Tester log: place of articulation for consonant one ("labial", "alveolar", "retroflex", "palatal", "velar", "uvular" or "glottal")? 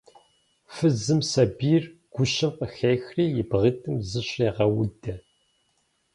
labial